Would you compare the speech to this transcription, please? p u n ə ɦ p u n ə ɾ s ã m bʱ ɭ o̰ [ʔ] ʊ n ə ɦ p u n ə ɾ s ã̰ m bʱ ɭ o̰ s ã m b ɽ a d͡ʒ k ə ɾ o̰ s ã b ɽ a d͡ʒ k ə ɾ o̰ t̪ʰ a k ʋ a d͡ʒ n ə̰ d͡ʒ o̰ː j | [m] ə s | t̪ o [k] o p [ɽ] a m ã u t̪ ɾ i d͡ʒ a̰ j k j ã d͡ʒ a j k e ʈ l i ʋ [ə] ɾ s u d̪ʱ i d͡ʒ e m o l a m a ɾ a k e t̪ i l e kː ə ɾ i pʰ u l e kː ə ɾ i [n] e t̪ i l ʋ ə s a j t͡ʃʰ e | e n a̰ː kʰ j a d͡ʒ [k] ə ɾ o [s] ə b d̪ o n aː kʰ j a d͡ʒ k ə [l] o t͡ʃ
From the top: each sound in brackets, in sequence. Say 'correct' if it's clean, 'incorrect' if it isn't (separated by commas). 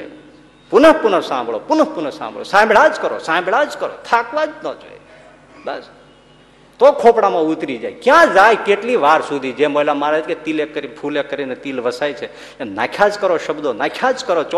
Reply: incorrect, incorrect, incorrect, correct, incorrect, correct, correct, incorrect, incorrect